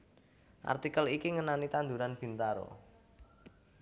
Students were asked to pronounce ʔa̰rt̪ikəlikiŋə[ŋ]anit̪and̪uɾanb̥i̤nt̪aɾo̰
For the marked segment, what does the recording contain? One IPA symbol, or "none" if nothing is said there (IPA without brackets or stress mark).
n